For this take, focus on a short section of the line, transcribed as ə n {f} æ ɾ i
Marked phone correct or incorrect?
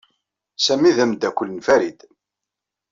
correct